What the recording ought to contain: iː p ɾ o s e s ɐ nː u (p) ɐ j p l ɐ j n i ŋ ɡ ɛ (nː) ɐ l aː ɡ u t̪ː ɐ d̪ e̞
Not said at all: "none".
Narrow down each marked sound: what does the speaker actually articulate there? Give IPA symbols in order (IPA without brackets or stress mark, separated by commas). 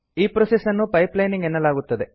p, nː